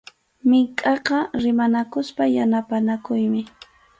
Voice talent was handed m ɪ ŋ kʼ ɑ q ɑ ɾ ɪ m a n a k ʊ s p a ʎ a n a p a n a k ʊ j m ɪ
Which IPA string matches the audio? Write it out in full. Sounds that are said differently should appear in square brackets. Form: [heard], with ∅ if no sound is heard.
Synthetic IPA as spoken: m ɪ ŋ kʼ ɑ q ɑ ɾ ɪ m a n a k ʊ s p a [j] a n a p a n a k ʊ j m ɪ